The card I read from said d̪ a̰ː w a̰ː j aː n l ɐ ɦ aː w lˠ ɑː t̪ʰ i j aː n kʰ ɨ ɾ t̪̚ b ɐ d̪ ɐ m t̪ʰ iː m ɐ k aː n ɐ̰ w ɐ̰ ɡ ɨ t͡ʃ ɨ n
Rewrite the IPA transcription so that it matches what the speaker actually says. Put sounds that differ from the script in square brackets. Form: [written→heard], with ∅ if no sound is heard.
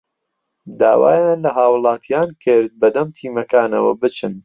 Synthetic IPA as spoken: d̪ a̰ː w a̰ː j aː n l ɐ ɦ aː w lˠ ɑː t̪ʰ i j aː n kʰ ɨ ɾ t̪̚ b ɐ d̪ ɐ m t̪ʰ iː m ɐ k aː n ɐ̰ w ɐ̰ [ɡ→b] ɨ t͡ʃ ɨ n